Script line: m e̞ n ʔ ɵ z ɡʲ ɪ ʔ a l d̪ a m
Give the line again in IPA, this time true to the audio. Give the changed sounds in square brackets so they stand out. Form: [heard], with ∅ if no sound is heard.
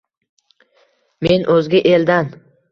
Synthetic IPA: m e̞ n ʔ ɵ z ɡʲ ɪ ʔ [e] l d̪ a [n]